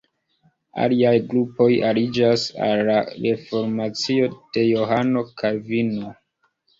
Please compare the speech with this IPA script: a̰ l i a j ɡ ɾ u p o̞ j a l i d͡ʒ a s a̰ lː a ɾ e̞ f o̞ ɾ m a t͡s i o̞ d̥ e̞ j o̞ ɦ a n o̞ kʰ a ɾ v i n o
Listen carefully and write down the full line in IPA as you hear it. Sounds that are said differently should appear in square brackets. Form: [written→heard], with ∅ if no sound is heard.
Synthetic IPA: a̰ l i a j ɡ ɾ u p o̞ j a l i d͡ʒ a s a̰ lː a ɾ e̞ f o̞ ɾ m a t͡s i o̞ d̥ e̞ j o̞ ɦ a n o̞ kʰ a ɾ v i n o